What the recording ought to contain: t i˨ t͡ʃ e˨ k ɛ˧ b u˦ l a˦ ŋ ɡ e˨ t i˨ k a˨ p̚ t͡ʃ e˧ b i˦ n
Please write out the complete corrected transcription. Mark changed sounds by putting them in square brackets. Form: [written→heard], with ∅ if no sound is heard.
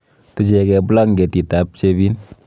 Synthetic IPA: t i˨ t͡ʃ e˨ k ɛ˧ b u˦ l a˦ ŋ ɡ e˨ t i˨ [k→t] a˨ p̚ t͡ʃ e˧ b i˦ n

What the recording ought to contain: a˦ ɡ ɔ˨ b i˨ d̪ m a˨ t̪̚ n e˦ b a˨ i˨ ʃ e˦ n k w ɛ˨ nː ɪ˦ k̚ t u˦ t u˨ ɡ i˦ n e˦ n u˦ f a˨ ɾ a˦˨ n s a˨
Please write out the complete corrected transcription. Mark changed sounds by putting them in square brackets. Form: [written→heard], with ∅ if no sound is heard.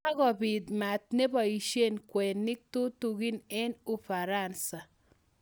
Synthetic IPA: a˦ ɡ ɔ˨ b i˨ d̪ m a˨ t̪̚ n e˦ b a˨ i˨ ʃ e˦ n k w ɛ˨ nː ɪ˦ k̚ t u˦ t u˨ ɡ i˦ n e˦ n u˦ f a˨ ɾ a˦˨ n s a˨

